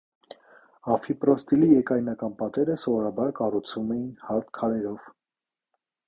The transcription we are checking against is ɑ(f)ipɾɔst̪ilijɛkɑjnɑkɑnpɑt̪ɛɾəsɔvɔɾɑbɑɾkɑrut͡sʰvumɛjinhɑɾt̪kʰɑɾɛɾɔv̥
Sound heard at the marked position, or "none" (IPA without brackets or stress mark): f